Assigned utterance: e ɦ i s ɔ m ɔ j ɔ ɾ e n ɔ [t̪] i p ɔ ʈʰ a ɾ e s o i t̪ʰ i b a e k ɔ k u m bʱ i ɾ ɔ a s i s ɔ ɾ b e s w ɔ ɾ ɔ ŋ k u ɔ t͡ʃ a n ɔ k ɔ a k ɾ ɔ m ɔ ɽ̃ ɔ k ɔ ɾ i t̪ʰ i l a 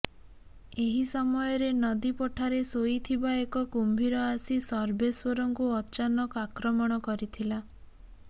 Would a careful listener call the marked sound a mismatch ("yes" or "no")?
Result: yes